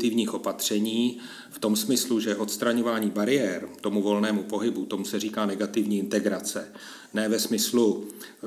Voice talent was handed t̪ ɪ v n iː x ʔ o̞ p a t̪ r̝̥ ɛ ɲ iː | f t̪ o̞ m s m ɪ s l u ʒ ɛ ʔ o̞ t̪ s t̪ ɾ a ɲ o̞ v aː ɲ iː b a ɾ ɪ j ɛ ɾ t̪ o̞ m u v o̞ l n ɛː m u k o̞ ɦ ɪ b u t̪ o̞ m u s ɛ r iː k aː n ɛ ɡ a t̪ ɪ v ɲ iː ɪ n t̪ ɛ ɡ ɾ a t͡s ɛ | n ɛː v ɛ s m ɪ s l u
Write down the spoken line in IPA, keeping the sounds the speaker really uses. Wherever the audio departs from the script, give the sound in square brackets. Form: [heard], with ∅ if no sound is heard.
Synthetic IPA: t̪ ɪ v [ɲ] iː x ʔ o̞ p a t̪ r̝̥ ɛ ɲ iː | f t̪ o̞ m s m ɪ s l u ʒ ɛ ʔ o̞ t̪ s t̪ ɾ a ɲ o̞ v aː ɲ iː b a ɾ ɪ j ɛ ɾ t̪ o̞ m u v o̞ l n ɛː m u [p] o̞ ɦ ɪ b u t̪ o̞ m u s ɛ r iː k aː n ɛ ɡ a t̪ ɪ v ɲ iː ɪ n t̪ ɛ ɡ ɾ a t͡s ɛ | n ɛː v ɛ s m ɪ s l u